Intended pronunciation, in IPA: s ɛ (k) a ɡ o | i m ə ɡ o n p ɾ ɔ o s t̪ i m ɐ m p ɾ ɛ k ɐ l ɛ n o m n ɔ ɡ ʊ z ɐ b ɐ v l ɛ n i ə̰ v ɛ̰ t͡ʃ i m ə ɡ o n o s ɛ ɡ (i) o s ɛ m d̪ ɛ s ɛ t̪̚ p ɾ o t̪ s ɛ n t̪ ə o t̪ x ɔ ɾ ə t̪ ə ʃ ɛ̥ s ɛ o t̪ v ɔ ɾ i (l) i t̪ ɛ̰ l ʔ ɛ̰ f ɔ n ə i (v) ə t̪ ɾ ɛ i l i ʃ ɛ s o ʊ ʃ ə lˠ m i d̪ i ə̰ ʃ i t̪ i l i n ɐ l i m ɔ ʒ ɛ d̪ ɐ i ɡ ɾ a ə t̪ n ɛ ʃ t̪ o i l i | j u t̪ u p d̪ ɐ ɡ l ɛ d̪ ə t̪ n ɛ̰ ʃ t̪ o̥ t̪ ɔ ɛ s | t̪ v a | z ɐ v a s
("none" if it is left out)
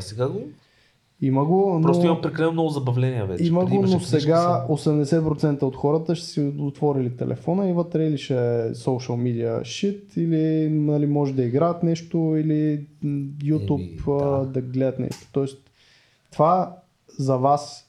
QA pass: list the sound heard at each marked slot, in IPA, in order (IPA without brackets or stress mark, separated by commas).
ɡ, a, l, v